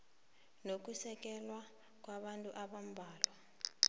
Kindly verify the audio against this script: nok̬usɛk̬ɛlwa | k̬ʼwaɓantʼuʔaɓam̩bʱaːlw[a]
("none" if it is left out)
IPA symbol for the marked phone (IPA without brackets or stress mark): a